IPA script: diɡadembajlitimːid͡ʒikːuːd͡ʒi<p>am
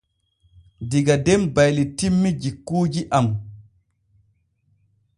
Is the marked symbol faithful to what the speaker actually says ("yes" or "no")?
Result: no